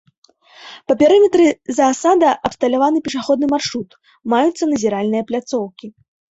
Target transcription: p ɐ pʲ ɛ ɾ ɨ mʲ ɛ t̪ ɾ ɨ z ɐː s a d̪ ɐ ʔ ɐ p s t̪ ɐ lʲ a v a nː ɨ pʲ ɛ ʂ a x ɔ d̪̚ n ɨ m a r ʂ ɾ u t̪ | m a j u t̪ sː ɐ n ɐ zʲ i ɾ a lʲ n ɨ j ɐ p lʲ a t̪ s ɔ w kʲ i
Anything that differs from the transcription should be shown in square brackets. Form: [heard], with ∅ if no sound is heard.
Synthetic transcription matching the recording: p ɐ pʲ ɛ ɾ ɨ mʲ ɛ t̪ ɾ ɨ z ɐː s a d̪ ɐ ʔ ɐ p s t̪ ɐ lʲ a v a [n] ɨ pʲ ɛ ʂ a x ɔ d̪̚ n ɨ m a r ʂ ɾ u t̪ | m a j u t̪ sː ɐ n ɐ zʲ i ɾ a lʲ n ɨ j ɐ p lʲ a t̪ s ɔ w kʲ i